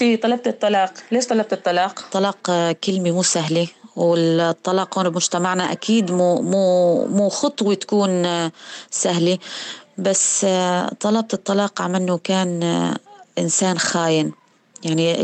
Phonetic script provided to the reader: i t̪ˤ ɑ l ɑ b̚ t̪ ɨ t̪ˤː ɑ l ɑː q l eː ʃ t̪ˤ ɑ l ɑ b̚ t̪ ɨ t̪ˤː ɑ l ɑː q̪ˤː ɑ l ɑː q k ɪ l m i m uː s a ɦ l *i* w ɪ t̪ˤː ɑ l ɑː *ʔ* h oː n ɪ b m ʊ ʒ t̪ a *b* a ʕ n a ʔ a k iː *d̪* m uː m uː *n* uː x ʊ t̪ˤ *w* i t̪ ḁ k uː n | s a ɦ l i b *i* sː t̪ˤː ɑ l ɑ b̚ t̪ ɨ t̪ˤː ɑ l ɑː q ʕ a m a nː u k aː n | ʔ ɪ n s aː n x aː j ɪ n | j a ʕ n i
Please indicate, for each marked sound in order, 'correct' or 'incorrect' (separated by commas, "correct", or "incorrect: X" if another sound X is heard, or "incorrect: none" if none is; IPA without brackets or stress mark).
correct, incorrect: q, incorrect: m, correct, incorrect: m, correct, incorrect: a